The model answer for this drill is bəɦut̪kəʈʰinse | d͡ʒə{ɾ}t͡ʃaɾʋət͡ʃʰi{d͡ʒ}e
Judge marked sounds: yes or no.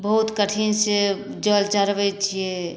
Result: no, no

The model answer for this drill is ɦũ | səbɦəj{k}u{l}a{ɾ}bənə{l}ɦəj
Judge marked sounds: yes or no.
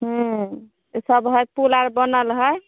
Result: no, yes, yes, yes

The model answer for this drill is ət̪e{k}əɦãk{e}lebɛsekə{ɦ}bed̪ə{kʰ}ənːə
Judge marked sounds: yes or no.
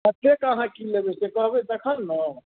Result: yes, no, yes, yes

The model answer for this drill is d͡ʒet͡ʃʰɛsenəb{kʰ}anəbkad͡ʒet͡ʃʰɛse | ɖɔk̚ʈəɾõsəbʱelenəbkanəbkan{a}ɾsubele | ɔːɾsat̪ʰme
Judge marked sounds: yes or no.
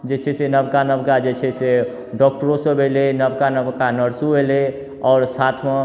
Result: no, no

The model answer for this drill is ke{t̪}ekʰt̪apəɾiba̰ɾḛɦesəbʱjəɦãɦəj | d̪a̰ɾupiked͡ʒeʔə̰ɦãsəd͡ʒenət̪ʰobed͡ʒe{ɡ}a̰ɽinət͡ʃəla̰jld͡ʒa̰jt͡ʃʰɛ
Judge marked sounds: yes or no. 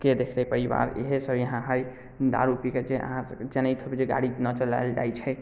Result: no, yes

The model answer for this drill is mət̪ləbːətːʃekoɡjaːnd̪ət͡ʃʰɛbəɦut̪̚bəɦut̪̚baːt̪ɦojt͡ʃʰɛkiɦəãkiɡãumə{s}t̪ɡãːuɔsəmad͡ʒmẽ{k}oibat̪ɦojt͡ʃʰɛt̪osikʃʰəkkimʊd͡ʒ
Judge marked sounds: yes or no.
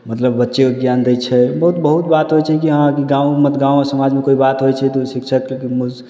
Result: no, yes

